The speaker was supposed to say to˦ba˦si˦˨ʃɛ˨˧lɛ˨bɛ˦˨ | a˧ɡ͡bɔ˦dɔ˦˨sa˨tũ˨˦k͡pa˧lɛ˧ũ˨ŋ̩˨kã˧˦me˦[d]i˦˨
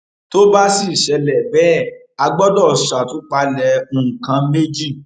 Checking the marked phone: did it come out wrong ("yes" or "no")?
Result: yes